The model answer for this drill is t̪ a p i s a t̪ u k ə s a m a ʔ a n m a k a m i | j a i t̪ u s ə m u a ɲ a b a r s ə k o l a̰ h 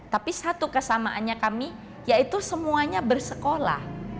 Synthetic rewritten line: t̪ a p i s a t̪ u k ə s a m a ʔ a n ɲ a k a m i | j a i t̪ u s ə m u a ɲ a b ə r s ə k o l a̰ h